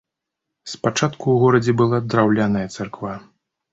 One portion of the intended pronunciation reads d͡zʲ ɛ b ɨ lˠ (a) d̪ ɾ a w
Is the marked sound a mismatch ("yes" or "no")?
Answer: no